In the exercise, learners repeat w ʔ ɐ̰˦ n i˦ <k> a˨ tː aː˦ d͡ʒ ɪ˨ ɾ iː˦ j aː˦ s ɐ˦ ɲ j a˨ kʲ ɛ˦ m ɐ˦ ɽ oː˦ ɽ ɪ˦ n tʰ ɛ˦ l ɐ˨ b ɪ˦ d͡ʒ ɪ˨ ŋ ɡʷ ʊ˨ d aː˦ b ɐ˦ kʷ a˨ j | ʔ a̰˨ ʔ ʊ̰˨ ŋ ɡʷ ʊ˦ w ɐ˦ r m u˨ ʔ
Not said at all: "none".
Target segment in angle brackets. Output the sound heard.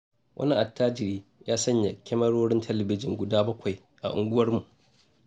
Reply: ʔ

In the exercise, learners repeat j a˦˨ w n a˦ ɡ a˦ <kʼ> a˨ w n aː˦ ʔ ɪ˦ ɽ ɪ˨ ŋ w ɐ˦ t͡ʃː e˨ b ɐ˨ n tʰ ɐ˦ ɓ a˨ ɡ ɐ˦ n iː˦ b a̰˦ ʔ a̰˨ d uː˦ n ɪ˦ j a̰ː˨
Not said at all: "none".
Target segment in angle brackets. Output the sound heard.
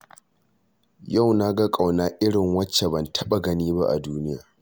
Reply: kʼ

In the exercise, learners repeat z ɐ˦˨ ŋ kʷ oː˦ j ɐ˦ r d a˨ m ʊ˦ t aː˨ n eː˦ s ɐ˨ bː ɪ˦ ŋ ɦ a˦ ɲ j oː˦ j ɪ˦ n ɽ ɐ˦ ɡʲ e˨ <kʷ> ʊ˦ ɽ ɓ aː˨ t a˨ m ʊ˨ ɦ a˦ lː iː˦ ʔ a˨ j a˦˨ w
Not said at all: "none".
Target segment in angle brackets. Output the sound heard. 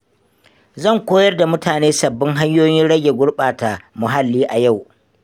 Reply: ɡʷ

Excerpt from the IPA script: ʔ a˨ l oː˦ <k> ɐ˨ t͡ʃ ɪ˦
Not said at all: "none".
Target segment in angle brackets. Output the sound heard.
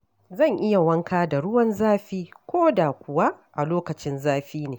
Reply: k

